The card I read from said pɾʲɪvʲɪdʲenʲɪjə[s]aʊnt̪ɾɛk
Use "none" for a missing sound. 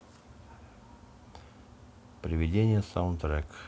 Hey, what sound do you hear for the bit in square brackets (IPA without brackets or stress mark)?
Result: s